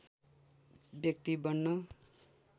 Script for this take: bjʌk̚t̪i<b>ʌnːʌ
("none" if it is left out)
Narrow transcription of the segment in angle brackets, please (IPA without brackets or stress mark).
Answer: b